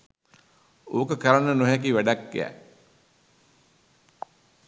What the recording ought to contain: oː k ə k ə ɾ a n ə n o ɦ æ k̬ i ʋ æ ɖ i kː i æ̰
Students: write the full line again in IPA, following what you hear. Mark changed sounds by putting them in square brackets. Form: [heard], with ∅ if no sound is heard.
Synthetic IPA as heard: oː k ə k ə ɾ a n ə n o ɦ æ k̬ i ʋ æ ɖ [a] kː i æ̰